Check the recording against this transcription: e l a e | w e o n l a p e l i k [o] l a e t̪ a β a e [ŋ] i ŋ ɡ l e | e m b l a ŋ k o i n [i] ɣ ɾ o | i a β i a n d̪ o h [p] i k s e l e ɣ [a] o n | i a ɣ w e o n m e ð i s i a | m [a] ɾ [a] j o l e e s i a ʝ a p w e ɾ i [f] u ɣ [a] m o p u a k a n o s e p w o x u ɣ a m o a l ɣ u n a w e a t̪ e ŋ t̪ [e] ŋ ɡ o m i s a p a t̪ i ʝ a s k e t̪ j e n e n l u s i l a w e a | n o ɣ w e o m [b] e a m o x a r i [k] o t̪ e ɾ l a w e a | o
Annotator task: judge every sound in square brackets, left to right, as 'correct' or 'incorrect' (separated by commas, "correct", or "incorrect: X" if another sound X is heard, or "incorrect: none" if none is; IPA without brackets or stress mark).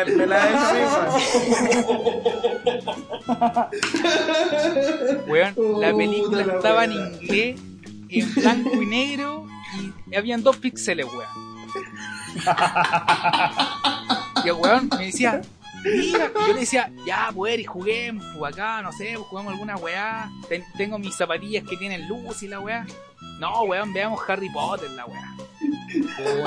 incorrect: u, incorrect: n, incorrect: e, correct, incorrect: e, incorrect: i, correct, incorrect: x, incorrect: e, correct, correct, incorrect: p